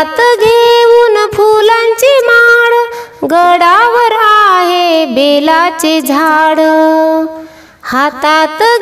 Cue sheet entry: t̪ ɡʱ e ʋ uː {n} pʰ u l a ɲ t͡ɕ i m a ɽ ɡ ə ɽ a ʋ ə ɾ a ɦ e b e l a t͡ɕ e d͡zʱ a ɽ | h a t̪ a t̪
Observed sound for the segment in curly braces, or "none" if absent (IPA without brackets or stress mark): n